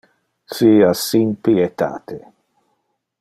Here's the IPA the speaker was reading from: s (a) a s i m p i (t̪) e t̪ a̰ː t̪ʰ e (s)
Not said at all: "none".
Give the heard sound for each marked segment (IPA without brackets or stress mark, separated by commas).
i, none, none